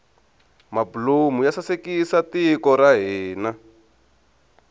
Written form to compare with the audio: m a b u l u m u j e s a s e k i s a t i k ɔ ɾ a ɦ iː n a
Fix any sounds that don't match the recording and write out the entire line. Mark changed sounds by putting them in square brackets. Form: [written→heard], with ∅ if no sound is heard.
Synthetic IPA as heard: m a b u l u m u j [e→a] s a s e k i s a t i k ɔ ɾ a ɦ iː n a